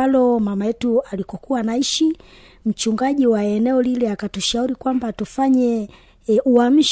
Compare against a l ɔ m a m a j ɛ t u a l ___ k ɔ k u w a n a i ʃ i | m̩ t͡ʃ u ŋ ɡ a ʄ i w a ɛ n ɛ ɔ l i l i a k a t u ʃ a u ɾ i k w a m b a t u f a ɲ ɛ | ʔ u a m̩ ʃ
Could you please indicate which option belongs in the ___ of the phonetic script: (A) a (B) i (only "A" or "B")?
B